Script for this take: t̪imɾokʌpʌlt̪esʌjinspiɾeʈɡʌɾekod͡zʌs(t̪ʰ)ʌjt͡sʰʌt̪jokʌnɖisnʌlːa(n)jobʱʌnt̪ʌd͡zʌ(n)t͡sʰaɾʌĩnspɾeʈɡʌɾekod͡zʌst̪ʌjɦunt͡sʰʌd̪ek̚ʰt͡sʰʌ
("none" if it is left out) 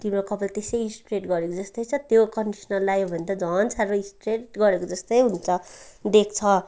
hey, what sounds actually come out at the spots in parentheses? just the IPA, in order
t̪, none, n

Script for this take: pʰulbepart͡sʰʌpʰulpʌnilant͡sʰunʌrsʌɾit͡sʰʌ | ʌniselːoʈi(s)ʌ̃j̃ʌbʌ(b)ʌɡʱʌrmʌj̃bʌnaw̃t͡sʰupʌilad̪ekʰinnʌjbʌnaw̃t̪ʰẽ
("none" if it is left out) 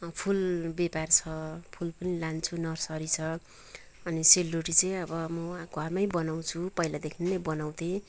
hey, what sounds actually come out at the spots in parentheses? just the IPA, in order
t͡s, m

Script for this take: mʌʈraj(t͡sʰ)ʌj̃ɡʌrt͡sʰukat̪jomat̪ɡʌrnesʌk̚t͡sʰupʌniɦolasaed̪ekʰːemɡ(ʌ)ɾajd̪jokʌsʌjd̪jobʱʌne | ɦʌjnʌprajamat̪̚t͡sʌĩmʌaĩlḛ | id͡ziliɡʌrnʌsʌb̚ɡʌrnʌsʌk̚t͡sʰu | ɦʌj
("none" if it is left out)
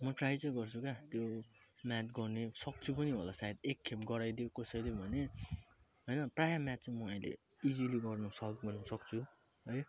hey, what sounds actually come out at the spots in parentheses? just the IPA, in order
t͡s, ʌ

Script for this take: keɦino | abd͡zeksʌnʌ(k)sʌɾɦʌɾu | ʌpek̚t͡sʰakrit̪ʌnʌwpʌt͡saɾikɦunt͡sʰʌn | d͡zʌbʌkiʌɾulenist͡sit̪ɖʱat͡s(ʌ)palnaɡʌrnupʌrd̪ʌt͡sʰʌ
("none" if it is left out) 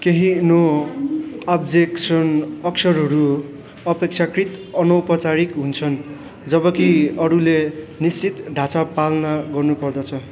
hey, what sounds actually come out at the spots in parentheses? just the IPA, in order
k, a

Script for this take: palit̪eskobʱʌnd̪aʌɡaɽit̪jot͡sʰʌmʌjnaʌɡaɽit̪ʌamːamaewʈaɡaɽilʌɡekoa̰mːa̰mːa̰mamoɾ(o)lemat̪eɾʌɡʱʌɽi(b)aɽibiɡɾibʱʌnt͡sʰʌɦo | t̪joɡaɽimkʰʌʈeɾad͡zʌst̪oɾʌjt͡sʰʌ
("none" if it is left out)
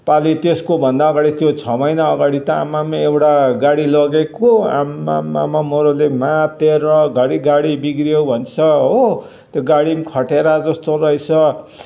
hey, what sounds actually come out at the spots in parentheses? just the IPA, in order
o, ɡ

